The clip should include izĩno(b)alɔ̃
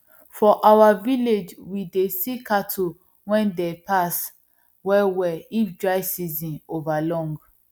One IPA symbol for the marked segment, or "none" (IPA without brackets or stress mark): v